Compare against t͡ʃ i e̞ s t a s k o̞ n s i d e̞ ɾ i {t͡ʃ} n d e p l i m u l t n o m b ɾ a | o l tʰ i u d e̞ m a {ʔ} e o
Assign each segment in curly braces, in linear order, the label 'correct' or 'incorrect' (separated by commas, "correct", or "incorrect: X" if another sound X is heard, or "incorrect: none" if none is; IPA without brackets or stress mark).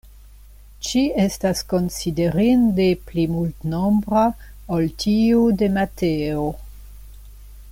incorrect: none, incorrect: t